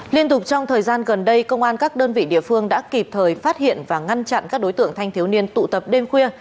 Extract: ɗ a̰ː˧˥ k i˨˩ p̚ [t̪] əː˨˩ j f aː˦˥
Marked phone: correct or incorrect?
incorrect